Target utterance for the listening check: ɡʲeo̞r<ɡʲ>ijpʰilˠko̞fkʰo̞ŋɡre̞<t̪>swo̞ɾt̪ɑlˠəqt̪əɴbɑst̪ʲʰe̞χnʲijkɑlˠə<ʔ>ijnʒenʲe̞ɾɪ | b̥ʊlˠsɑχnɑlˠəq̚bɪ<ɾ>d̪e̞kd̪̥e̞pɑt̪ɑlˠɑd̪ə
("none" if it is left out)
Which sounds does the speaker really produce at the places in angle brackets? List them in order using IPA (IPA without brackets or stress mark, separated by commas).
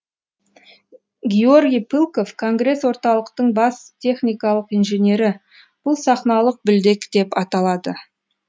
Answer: ɡʲ, none, q, l